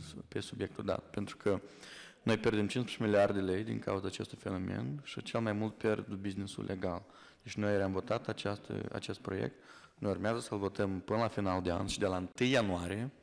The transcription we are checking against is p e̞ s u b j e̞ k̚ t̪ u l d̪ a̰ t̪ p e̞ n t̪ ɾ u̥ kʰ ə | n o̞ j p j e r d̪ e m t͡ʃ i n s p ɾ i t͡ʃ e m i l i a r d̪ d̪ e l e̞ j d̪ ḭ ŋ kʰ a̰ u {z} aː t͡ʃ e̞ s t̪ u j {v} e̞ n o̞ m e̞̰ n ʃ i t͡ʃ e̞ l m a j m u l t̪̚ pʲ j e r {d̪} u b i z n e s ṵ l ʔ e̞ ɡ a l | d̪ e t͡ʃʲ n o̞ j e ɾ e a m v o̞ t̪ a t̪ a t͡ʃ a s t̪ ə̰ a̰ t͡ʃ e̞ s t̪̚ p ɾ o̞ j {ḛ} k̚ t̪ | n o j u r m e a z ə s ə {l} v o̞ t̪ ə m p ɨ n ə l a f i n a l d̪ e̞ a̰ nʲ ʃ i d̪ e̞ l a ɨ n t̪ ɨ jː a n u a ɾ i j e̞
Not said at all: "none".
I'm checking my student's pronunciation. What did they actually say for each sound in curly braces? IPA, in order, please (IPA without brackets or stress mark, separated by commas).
z, f, d̪, ḛ, l